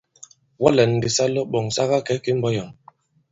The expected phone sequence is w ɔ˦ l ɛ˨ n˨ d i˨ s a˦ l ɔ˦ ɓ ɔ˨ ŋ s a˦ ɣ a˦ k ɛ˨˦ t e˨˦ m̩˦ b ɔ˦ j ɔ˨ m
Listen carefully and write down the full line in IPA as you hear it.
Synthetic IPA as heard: w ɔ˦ l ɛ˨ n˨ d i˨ s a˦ l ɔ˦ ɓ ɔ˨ ŋ s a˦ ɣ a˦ k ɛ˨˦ k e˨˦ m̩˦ b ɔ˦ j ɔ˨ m